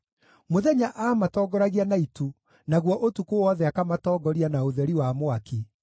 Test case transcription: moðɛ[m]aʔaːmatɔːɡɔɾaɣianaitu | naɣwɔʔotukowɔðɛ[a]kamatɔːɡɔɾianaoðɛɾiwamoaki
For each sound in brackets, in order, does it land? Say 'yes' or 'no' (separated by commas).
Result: no, yes